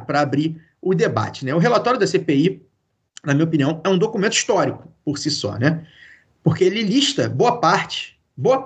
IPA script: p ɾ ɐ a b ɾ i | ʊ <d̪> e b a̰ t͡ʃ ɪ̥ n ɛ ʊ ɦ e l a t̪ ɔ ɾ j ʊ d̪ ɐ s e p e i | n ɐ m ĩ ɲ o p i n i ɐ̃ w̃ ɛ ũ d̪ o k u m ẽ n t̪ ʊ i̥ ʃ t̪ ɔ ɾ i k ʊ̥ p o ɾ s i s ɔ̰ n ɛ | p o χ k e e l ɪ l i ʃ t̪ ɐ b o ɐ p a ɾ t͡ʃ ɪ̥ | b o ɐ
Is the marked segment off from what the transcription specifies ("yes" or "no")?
no